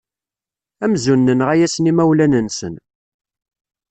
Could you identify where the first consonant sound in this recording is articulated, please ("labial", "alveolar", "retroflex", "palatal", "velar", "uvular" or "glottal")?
labial